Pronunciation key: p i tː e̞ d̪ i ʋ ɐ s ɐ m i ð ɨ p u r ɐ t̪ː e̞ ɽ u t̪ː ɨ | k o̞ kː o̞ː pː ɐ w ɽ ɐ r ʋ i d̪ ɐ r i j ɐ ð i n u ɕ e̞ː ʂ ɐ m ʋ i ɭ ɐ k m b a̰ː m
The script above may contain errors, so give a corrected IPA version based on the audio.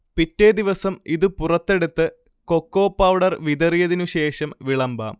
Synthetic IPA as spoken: p i tː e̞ d̪ i ʋ ɐ s ɐ m i ð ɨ p u r ɐ t̪ː e̞ ɽ u t̪ː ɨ | k o̞ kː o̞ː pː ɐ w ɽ ɐ r ʋ i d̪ ɐ r i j ɐ ð i n u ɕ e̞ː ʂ ɐ m ʋ i ɭ ɐ m b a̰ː m